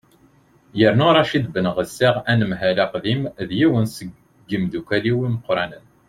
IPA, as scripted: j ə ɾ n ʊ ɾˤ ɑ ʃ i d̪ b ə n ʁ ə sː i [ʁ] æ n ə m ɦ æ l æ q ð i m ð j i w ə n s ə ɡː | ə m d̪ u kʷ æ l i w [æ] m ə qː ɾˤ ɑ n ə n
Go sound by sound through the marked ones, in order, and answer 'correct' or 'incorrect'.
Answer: correct, incorrect: i

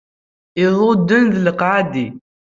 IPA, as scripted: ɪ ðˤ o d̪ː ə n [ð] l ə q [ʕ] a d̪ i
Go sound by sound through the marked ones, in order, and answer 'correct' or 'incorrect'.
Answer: correct, correct

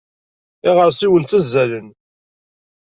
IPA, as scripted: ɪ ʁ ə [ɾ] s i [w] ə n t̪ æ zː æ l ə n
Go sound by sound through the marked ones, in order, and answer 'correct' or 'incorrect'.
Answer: correct, correct

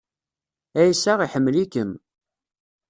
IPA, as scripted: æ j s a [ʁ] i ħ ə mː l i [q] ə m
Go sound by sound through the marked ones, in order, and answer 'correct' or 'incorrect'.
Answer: correct, incorrect: k

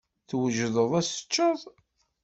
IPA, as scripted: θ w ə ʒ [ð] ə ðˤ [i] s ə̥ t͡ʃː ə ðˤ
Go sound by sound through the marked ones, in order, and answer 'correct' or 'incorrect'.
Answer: correct, incorrect: æ

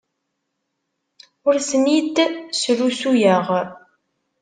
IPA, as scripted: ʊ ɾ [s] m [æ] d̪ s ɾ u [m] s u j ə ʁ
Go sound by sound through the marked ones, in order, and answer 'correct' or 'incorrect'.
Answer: correct, incorrect: i, incorrect: none

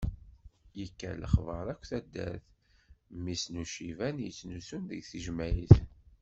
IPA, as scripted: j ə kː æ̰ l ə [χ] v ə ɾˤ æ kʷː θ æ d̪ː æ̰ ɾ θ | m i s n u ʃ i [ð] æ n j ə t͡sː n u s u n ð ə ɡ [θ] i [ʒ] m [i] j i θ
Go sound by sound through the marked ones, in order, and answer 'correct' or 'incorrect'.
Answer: correct, incorrect: v, correct, correct, incorrect: æ

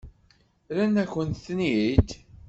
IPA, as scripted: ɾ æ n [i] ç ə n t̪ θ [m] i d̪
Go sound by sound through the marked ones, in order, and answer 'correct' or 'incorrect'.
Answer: incorrect: æ, incorrect: n

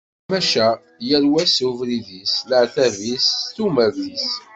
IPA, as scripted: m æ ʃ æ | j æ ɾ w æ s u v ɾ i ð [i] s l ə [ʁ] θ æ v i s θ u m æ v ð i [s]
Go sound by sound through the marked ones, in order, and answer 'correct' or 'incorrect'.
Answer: correct, incorrect: ʕ, correct

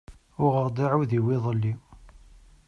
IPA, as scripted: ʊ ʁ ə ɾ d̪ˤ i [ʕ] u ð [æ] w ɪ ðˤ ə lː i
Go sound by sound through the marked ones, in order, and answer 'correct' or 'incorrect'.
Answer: correct, incorrect: i

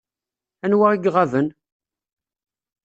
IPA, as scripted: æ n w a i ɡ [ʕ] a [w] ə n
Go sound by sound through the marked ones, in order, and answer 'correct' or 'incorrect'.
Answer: incorrect: ʁ, incorrect: v

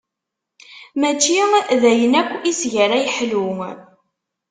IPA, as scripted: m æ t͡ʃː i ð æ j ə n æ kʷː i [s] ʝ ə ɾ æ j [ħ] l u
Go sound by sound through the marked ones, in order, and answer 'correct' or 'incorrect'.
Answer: correct, correct

